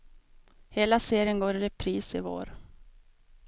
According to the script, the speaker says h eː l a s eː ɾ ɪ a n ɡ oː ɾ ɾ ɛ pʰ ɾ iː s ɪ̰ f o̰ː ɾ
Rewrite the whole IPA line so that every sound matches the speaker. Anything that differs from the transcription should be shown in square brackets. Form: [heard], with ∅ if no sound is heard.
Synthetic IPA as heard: h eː l a s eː ɾ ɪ [ə] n ɡ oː ɾ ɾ ɛ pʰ ɾ iː s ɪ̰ [v] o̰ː ɾ